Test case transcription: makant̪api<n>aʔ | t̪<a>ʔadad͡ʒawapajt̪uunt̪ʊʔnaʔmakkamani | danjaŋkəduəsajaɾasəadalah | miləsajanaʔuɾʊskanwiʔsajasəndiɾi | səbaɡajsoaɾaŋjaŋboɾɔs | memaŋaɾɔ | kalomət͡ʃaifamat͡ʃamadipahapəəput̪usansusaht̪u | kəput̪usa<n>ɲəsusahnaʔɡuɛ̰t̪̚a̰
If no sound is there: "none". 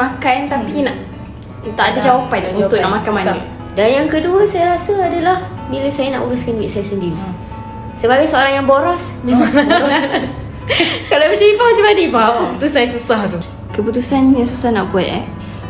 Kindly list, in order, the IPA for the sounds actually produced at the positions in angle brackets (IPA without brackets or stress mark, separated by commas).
n, a, n